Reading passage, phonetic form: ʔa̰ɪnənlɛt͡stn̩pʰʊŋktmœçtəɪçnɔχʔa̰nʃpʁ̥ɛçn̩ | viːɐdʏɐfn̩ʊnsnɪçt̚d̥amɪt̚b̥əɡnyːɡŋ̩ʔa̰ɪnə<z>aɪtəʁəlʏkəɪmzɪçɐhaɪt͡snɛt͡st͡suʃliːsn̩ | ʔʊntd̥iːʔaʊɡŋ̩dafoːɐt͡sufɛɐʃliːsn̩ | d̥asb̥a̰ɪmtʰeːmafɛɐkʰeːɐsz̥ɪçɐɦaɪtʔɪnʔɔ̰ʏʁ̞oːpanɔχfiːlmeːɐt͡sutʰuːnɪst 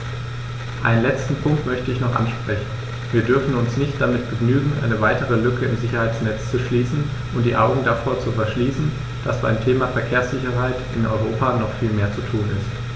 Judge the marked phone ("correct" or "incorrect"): incorrect